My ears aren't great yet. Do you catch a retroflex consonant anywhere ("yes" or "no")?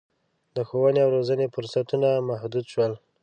no